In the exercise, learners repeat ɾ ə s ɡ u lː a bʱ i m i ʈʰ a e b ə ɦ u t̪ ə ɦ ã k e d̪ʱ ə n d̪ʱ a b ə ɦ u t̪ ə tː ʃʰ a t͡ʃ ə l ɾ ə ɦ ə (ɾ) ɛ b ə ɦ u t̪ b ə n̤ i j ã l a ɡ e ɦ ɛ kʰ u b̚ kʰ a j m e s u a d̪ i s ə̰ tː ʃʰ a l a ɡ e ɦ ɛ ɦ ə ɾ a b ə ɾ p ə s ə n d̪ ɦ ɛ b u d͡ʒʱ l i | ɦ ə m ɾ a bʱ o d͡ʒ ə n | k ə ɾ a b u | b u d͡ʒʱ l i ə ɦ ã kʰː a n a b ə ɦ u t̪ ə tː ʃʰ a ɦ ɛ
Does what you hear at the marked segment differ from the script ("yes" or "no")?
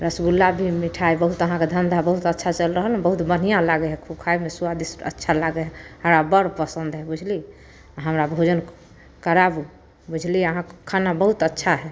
yes